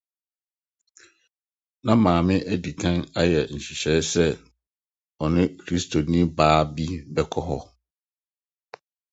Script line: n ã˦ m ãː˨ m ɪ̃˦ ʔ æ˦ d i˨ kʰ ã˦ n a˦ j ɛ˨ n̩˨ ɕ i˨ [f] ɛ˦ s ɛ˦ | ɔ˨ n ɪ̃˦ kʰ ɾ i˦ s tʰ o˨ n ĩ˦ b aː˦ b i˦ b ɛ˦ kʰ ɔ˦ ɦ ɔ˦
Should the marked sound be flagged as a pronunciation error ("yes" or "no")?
yes